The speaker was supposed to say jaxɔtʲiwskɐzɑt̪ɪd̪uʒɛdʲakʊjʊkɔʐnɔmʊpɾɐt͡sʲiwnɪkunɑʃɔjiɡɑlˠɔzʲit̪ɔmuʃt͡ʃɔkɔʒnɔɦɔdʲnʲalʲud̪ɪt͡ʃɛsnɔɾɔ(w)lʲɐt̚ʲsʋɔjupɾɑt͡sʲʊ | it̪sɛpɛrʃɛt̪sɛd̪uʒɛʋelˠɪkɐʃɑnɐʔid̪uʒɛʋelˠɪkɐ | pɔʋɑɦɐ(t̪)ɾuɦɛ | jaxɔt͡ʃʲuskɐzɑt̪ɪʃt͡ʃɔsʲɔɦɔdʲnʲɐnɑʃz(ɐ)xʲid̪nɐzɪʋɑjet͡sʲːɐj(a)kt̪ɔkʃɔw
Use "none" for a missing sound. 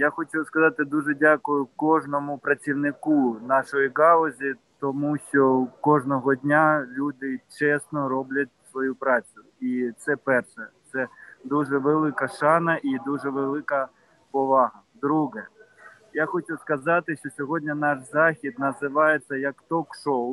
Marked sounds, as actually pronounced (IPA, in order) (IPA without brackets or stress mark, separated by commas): b, d̪, ɑ, ɐ